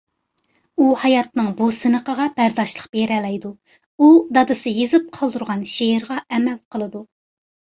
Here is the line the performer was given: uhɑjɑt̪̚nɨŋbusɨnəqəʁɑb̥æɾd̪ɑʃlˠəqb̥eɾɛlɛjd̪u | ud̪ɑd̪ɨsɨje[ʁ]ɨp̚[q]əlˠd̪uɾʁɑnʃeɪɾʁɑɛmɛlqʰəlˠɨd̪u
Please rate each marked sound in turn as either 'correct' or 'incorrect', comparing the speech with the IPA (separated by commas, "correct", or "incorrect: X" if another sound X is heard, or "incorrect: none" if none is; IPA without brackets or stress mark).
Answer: incorrect: z, incorrect: qʰ